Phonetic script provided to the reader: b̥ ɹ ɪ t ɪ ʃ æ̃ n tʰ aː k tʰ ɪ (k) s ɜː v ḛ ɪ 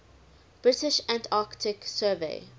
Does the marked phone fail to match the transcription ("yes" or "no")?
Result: no